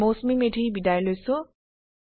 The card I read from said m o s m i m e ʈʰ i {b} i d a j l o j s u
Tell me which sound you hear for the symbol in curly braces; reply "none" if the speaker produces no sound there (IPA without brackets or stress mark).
b